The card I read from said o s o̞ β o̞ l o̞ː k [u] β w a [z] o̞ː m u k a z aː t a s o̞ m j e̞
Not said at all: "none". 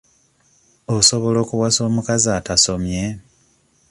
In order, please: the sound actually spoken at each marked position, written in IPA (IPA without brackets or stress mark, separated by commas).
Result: u, s